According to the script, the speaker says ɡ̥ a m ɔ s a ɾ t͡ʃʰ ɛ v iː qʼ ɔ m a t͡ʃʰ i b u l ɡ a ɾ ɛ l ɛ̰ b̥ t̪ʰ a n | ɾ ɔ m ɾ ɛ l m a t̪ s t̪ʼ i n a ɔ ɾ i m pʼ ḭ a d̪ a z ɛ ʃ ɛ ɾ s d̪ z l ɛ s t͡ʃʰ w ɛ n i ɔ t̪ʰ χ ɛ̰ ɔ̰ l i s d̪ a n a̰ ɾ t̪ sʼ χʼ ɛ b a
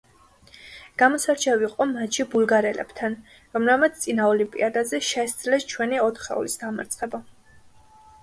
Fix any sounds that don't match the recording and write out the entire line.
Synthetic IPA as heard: ɡ̥ a m ɔ s a ɾ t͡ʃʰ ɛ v i qʼ ɔ m a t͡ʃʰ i b u l ɡ a ɾ ɛ l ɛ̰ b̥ t̪ʰ a n | ɾ ɔ m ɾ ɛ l m a t̪ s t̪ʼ i n a ɔ l i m pʼ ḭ a d̪ a z ɛ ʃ ɛ s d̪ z l ɛ s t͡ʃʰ w ɛ n i ɔ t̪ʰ χ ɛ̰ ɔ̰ l i s d̪ a m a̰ ɾ t̪ sʼ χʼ ɛ b a